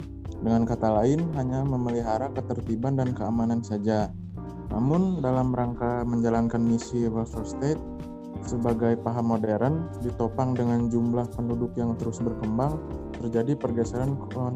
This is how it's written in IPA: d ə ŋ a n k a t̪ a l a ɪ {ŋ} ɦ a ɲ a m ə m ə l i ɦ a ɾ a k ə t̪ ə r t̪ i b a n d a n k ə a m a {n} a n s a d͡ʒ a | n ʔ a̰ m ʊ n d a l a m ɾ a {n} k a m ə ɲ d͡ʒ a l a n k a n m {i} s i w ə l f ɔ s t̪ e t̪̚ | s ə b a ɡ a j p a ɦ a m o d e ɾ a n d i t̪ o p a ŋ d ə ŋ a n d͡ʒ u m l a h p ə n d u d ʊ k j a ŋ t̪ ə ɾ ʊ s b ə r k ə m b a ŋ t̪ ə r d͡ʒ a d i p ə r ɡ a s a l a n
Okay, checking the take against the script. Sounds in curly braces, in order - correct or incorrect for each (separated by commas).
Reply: incorrect, correct, incorrect, correct